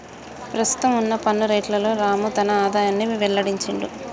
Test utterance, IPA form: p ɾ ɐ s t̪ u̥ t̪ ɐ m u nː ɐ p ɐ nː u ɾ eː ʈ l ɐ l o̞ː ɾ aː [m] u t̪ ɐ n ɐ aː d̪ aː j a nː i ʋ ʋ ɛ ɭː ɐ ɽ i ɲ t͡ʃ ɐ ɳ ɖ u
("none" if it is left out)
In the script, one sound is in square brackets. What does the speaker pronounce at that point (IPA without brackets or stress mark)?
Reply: m